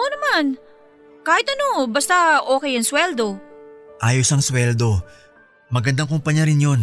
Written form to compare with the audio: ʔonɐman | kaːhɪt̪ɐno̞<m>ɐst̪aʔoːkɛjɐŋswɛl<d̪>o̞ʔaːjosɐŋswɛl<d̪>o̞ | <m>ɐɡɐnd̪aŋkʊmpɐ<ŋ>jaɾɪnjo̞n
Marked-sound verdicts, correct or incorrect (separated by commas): incorrect, correct, correct, correct, incorrect